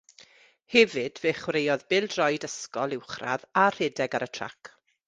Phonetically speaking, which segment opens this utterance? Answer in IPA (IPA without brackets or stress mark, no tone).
h